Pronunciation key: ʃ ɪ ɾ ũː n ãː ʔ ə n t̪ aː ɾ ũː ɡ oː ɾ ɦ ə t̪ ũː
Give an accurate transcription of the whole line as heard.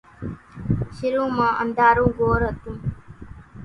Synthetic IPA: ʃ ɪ ɾ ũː m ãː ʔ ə n d̪ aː ɾ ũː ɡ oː ɾ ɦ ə t̪ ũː